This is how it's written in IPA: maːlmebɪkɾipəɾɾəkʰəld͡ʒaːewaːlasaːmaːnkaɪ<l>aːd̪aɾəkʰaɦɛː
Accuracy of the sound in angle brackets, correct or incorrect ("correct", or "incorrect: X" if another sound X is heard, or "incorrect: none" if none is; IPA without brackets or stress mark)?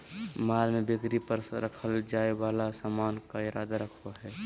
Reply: incorrect: ɾ